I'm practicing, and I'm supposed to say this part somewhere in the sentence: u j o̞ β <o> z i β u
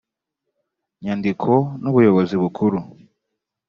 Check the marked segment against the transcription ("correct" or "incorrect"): correct